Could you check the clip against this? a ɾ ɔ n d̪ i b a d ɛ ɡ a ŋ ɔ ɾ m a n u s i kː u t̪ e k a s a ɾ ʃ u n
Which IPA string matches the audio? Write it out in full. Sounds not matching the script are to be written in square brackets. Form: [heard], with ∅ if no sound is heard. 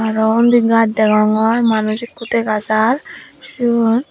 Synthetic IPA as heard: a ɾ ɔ n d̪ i [ɡ] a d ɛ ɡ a ŋ ɔ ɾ m a n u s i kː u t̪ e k a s a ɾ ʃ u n